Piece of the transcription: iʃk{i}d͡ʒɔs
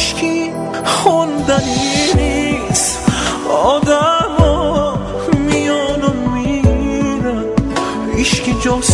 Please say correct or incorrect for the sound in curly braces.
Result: correct